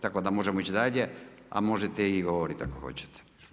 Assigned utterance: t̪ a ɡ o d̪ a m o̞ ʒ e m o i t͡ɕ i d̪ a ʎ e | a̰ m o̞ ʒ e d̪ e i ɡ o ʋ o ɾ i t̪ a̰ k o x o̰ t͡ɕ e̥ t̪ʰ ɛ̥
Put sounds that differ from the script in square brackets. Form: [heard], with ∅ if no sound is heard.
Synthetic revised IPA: t̪ a [k] o d̪ a m o̞ ʒ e m o i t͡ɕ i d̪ a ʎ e | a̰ m o̞ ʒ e [t̪] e i ɡ o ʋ o ɾ i t̪ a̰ k o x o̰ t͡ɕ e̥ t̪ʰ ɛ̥